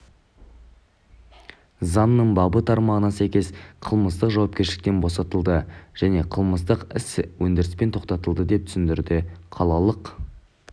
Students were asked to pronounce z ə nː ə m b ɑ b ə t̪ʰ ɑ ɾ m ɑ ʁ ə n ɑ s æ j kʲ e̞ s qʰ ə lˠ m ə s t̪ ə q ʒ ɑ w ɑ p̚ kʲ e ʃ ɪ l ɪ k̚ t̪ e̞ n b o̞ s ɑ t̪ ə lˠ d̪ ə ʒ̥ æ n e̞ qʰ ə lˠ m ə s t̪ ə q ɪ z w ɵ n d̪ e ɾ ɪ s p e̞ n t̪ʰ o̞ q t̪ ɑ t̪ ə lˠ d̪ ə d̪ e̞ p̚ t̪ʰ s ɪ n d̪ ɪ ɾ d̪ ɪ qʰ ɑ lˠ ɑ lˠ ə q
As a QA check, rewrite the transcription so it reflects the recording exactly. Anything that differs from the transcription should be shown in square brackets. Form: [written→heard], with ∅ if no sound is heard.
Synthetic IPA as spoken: z [ə→ɑ] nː ə [m→ɴ] b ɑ b ə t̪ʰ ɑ ɾ m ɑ ʁ ə n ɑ s æ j kʲ e̞ s qʰ ə lˠ m ə s t̪ ə q ʒ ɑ w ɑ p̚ kʲ e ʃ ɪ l ɪ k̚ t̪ e̞ n b o̞ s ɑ t̪ ə lˠ d̪ ə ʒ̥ æ n e̞ qʰ ə lˠ m ə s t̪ ə q ɪ [z→s] w ɵ n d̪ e ɾ ɪ s p e̞ n t̪ʰ o̞ q t̪ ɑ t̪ ə lˠ d̪ ə d̪ e̞ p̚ t̪ʰ s ɪ n d̪ ɪ ɾ d̪ ɪ qʰ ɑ lˠ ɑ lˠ ə q